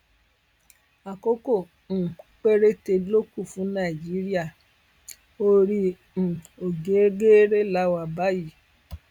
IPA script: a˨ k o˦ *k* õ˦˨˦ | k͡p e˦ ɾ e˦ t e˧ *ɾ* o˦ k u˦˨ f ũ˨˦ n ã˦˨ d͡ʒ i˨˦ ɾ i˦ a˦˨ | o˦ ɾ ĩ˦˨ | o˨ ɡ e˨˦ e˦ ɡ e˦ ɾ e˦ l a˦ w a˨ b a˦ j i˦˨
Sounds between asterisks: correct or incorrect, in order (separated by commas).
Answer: correct, incorrect